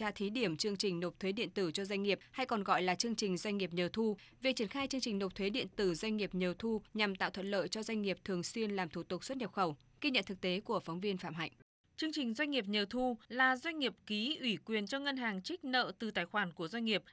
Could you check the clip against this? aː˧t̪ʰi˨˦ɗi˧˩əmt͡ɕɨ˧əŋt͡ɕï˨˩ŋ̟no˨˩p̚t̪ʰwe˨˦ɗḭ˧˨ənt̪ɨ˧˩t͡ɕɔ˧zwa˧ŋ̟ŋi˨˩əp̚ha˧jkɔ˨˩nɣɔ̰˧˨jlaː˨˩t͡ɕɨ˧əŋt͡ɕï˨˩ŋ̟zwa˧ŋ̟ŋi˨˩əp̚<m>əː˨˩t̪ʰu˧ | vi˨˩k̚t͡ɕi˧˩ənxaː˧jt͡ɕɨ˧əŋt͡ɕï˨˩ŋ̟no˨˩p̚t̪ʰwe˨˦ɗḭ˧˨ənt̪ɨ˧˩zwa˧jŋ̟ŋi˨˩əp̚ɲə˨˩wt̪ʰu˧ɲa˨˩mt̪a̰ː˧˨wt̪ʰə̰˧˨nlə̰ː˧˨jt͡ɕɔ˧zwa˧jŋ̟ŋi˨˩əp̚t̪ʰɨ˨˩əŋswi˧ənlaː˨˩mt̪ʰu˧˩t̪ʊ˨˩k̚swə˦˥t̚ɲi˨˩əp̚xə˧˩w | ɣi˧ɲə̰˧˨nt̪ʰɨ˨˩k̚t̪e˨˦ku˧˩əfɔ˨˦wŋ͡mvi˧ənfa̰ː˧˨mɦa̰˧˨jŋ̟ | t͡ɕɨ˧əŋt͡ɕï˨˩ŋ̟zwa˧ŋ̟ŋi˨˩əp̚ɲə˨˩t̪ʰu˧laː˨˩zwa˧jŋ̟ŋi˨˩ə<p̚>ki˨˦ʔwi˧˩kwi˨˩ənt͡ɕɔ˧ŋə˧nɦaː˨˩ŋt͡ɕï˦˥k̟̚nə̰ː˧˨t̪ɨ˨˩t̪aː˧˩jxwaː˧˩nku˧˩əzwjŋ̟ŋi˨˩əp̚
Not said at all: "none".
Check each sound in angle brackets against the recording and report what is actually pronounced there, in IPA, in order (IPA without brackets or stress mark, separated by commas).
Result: ɲ, p̚